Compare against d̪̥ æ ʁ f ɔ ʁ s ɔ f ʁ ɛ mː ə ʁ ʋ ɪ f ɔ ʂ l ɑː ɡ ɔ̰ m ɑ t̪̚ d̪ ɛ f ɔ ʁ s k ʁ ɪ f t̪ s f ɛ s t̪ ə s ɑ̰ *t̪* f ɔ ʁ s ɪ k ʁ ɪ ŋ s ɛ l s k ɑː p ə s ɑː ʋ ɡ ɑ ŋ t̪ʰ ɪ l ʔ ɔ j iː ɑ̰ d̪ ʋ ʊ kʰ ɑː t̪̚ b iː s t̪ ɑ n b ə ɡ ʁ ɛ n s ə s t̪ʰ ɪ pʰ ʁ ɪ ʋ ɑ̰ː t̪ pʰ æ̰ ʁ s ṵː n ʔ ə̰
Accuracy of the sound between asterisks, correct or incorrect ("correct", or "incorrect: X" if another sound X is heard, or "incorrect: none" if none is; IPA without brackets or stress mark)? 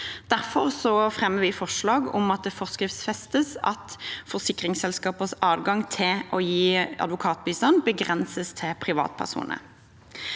correct